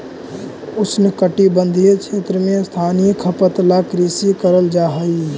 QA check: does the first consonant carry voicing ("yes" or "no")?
no